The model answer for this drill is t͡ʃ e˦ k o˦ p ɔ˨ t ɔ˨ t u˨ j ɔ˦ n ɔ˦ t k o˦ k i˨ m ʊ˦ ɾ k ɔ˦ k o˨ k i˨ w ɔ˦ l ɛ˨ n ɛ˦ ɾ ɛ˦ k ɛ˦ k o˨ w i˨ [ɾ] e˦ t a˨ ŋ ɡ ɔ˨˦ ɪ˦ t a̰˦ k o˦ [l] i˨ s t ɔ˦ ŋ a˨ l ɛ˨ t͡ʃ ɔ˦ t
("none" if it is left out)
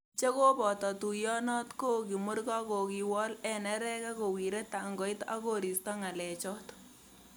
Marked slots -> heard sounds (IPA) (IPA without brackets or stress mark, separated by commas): ɾ, ɾ